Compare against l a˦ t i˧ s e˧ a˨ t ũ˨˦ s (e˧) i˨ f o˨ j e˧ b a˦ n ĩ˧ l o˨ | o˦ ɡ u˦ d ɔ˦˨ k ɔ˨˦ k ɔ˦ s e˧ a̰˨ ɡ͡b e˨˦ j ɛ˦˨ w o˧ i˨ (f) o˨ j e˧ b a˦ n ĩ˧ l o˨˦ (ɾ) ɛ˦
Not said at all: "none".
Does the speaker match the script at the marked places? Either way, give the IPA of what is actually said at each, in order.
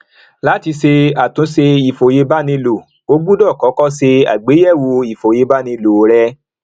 e˧, f, ɾ

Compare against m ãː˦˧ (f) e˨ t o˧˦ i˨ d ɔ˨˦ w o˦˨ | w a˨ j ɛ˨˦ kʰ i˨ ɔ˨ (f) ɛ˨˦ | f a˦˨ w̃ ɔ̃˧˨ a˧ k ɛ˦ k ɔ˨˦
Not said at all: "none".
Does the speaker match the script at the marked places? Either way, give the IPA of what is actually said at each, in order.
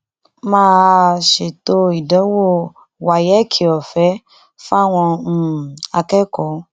ʃ, f

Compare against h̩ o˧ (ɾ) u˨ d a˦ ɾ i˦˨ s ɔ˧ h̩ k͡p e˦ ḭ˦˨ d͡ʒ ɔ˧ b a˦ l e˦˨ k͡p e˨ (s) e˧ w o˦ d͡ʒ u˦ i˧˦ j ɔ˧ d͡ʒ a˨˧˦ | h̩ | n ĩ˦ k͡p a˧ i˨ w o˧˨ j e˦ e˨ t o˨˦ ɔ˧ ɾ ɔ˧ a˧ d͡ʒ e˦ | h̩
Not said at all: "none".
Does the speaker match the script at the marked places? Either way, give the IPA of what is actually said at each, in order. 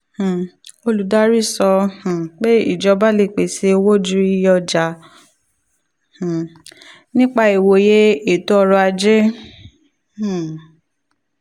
l, s

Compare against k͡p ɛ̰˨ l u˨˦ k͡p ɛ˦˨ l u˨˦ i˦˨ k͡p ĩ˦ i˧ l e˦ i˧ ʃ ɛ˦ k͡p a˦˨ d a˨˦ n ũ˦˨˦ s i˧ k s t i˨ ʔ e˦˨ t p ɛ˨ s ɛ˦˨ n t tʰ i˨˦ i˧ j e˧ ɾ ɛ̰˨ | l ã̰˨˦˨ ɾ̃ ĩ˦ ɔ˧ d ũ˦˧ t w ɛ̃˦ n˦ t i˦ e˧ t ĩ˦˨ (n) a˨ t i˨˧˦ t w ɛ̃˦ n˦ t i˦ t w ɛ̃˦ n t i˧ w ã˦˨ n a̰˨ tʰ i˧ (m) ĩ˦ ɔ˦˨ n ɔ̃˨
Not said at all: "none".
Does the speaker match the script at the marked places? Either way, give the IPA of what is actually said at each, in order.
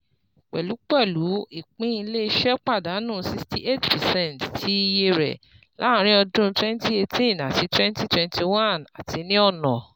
n, n

